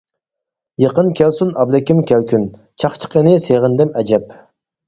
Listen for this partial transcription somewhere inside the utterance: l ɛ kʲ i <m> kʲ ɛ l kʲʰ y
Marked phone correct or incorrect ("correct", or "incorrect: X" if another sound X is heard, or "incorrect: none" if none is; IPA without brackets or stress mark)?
correct